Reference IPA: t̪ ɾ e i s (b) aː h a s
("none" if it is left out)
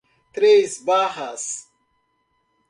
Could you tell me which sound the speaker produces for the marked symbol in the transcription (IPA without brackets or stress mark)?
b